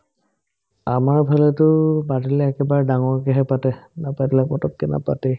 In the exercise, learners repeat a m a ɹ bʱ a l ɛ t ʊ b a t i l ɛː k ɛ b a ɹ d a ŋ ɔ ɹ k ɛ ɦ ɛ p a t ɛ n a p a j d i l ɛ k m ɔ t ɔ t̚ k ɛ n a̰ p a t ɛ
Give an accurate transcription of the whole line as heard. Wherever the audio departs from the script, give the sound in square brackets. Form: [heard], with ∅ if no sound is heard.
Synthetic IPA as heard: a m a ɹ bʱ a l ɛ t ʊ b a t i l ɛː k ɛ b a ɹ d a ŋ ɔ ɹ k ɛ ɦ ɛ p a t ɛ n a p a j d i l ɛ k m ɔ t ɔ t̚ k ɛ n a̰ p a t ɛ